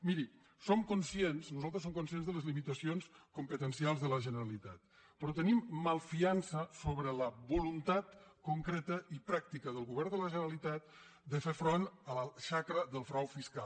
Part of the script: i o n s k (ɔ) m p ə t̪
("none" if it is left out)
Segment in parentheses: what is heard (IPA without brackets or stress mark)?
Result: u